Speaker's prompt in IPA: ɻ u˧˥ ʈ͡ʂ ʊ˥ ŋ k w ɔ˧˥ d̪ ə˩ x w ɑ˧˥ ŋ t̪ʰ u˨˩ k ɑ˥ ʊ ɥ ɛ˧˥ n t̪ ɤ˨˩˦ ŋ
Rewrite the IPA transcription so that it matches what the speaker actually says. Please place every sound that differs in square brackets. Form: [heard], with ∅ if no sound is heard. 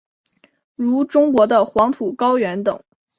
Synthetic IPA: ɻ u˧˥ ʈ͡ʂ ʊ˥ ŋ k w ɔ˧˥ d̪ [ə˧] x w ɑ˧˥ ŋ t̪ʰ u˨˩ k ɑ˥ ʊ ɥ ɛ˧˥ n t̪ ɤ˨˩˦ ŋ